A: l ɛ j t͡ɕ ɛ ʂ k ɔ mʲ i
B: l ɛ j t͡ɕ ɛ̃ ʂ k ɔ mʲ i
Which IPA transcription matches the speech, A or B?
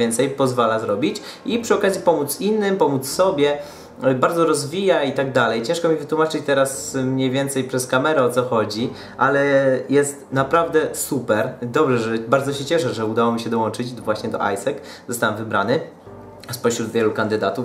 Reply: B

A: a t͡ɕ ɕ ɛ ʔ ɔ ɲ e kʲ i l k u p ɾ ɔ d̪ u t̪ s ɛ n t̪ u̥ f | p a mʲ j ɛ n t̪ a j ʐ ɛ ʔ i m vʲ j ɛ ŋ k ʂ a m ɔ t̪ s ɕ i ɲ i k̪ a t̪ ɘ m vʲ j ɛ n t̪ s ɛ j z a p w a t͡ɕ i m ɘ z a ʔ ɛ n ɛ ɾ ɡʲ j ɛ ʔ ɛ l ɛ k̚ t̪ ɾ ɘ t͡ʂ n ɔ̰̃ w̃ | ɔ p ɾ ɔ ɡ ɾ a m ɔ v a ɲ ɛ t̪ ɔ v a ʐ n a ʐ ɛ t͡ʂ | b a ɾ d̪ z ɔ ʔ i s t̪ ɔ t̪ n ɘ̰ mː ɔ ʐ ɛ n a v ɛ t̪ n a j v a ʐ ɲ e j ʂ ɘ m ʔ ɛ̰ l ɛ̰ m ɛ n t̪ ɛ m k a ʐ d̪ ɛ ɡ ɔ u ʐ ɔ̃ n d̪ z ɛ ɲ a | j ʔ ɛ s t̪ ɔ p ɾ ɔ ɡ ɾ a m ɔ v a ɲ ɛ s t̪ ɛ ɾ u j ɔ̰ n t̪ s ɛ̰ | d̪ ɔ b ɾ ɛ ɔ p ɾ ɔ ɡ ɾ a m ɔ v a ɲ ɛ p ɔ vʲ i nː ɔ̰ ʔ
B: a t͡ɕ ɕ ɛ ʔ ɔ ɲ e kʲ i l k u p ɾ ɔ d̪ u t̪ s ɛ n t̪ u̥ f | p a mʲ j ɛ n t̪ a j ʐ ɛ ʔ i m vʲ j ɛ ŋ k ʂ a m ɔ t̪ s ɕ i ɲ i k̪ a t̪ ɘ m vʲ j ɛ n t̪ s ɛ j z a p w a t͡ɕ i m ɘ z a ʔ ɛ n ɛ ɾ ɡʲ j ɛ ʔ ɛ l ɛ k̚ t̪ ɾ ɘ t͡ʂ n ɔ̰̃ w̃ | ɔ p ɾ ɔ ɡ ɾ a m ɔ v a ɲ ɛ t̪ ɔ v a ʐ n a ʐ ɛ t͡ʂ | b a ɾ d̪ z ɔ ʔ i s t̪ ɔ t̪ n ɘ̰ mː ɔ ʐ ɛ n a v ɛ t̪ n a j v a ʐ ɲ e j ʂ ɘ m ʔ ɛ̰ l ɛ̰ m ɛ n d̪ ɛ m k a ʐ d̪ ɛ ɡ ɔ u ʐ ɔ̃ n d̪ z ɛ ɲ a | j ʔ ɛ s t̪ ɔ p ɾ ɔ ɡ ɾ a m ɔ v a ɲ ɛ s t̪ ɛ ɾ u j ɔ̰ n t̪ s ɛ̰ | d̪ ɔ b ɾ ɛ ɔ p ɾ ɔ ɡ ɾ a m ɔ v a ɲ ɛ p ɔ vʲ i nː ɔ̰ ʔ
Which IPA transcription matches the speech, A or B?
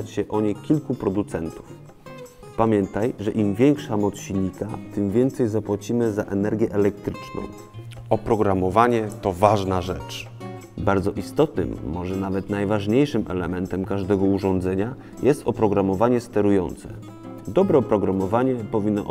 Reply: A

